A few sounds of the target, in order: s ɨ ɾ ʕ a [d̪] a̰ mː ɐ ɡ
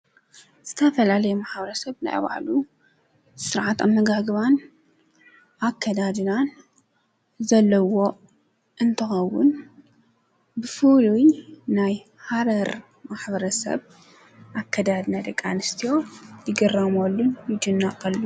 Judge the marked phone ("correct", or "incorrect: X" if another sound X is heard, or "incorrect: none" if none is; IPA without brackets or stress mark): incorrect: t̪